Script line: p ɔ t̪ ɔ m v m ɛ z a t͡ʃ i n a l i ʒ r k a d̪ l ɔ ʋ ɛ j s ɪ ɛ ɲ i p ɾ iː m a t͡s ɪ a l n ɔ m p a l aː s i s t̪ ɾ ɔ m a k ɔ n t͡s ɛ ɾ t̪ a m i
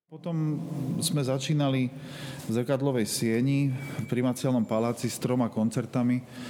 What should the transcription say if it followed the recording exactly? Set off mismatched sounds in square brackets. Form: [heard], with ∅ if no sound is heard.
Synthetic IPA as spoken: p ɔ t̪ ɔ m [z] m ɛ z a t͡ʃ [iː] n a l i [z] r k a d̪ l ɔ ʋ ɛ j s ɪ ɛ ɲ i p ɾ [i] m a t͡s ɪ a l n ɔ m p a l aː [t͡s] i s t̪ ɾ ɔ m a k ɔ n t͡s ɛ ɾ t̪ a m i